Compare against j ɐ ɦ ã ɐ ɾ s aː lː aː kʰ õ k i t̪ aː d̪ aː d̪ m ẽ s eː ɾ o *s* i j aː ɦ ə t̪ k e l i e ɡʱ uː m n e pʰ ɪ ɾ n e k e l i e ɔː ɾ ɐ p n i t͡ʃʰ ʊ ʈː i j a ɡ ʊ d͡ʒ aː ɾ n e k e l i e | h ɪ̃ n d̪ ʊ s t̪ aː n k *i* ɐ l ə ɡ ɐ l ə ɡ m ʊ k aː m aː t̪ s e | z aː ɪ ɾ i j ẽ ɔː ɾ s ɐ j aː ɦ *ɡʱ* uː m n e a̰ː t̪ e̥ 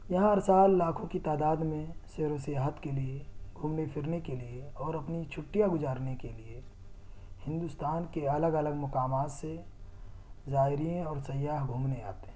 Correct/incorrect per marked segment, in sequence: correct, incorrect: e, correct

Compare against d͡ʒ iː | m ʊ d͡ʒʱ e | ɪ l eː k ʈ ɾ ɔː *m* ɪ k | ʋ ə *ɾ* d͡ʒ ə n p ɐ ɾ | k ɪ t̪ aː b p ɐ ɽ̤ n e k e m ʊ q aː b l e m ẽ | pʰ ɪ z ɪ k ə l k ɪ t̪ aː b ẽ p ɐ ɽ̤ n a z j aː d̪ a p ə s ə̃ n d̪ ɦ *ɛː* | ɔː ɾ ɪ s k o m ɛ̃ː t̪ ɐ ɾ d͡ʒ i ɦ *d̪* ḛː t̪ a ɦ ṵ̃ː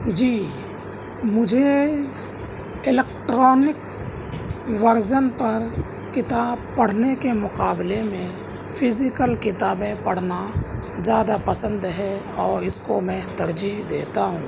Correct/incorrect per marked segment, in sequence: incorrect: n, correct, incorrect: ɛ, correct

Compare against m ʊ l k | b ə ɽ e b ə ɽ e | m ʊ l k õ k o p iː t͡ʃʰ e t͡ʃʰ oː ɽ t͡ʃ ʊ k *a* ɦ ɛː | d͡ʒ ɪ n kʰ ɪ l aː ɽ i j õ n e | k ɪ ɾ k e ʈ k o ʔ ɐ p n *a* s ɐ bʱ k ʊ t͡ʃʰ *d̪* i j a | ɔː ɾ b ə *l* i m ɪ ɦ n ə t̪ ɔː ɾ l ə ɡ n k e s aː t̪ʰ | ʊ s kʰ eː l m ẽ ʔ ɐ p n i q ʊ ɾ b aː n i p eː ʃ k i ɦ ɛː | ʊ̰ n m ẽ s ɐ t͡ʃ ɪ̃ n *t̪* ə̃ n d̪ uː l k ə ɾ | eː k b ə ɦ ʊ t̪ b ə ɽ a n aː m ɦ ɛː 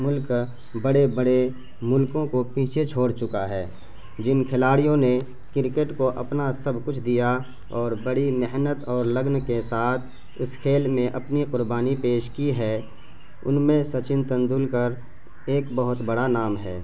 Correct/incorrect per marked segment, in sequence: correct, correct, correct, incorrect: ɽ, correct

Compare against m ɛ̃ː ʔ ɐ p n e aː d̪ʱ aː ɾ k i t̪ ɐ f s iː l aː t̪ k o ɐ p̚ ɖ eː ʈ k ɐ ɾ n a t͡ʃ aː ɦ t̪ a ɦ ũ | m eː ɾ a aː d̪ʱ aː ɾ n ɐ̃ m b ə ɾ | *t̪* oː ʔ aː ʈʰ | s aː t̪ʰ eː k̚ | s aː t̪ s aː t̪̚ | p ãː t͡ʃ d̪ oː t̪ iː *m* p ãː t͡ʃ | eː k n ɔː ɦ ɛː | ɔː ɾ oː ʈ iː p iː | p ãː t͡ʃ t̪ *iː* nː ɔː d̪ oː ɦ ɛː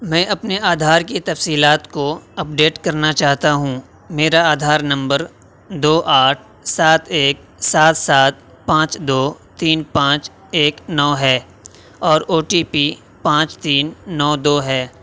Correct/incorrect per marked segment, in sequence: incorrect: d̪, incorrect: n, correct

